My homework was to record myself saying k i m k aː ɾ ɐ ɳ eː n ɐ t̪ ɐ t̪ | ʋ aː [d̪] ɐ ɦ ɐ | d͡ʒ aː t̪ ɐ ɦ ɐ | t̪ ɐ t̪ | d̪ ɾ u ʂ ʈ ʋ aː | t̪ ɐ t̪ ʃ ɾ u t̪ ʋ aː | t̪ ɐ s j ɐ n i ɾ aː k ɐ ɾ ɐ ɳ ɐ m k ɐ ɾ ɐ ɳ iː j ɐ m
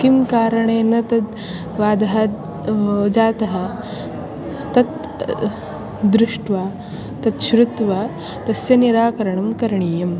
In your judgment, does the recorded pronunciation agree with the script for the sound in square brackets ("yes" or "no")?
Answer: yes